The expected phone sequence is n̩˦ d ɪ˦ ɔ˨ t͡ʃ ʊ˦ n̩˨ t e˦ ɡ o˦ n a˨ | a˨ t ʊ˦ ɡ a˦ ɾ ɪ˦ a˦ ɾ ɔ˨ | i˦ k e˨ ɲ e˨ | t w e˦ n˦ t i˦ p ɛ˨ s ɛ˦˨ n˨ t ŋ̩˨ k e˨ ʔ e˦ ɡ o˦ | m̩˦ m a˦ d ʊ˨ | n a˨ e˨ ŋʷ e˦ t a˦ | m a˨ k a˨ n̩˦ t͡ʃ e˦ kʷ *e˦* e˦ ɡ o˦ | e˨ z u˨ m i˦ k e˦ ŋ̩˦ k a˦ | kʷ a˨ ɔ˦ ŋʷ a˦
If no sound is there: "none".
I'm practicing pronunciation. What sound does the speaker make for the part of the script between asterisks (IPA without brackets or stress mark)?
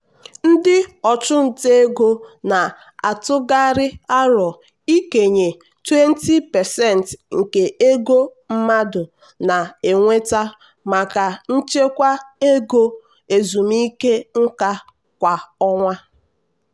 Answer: a˦